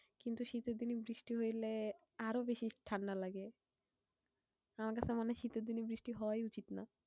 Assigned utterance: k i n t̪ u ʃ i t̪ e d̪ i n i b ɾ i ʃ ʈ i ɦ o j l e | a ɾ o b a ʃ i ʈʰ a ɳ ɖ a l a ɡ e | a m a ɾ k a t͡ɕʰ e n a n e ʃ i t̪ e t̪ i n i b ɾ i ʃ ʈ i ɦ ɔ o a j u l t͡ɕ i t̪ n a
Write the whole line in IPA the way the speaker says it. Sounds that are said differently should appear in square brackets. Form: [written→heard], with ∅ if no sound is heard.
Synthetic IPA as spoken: k i n t̪ u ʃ i t̪ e d̪ i n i b ɾ i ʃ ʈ i ɦ o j l e | a ɾ o b [a→e] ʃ i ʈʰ a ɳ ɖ a l a ɡ e | a m a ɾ k a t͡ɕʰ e [n→m] a n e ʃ i t̪ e [t̪→d̪] i n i b ɾ i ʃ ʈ i ɦ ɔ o a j u [l→∅] t͡ɕ i t̪ n a